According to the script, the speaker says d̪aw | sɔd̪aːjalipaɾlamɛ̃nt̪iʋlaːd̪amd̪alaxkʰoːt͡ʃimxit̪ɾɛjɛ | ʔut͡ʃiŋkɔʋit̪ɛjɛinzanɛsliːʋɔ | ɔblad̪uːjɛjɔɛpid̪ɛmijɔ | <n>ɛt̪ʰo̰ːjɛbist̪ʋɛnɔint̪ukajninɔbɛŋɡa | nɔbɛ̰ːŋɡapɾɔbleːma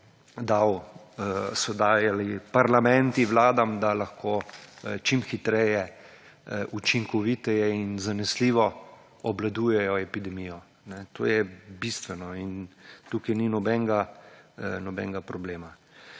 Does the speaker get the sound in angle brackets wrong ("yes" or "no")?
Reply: no